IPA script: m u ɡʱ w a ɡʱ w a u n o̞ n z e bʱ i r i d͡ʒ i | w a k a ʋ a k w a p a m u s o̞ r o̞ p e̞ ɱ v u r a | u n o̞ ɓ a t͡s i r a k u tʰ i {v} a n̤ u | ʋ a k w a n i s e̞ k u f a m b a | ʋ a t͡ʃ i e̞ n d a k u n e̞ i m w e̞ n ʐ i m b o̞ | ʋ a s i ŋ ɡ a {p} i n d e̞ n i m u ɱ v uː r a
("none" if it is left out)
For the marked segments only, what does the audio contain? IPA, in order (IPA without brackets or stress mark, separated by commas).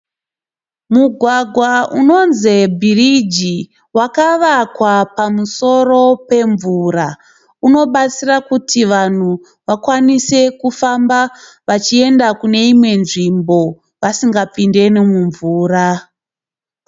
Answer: ʋ, p